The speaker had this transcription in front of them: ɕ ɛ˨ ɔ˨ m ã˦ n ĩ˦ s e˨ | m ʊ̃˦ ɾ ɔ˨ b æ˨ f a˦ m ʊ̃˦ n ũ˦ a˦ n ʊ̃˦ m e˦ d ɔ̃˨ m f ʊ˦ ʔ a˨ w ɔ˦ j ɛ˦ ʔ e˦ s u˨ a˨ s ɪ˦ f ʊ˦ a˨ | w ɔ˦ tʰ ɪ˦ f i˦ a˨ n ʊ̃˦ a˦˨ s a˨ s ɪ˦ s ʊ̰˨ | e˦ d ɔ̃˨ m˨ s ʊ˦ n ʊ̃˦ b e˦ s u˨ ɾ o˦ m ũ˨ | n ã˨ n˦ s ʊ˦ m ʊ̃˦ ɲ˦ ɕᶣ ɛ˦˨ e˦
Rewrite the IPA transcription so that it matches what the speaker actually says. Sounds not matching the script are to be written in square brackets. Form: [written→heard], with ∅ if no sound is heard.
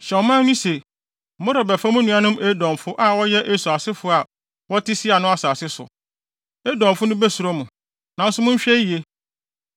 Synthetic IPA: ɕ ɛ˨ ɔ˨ m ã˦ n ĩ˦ s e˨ | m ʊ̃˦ ɾ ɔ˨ b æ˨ f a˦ m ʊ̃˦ n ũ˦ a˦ n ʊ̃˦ m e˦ d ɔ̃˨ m f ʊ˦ ʔ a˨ w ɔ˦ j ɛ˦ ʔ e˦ s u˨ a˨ s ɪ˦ f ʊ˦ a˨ | w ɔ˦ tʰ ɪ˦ [f→s] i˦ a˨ n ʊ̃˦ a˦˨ s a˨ s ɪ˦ s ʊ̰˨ | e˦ d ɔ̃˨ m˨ [s→f] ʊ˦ n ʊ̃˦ b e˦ s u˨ ɾ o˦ m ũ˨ | n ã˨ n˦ s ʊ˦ m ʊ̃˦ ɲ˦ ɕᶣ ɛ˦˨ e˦